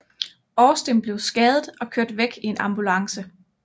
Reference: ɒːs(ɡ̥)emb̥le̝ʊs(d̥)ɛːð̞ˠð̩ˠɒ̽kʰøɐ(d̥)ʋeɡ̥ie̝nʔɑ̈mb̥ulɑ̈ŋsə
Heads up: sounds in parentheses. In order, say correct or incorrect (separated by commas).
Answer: incorrect, incorrect, correct